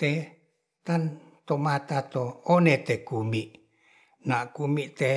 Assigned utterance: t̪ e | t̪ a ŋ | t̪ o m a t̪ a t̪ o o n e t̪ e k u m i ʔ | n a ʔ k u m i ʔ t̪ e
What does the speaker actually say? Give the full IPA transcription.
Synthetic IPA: t̪ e | t̪ a n | t̪ o m a t̪ a t̪ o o n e t̪ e k u m i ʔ | n a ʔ k u m i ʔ t̪ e